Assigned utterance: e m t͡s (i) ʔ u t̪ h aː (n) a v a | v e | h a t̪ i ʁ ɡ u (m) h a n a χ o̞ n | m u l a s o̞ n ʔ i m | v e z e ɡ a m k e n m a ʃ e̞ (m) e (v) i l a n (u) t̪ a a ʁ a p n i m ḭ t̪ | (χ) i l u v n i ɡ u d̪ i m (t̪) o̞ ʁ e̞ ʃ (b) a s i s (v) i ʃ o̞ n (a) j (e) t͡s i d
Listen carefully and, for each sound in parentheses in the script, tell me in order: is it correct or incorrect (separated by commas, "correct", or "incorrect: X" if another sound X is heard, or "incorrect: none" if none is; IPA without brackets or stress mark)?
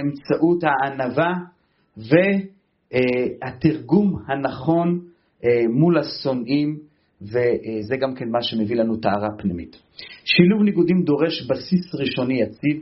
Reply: incorrect: a, correct, correct, correct, correct, correct, incorrect: ʃ, incorrect: d̪, correct, incorrect: ʁ, incorrect: i, incorrect: a